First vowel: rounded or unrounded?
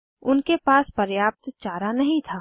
rounded